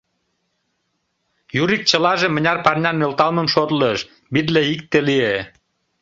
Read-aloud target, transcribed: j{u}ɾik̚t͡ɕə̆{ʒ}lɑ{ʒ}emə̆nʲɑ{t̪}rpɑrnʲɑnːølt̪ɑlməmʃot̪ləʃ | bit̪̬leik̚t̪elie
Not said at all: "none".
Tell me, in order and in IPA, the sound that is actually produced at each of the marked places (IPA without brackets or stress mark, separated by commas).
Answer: u, none, ʒ, none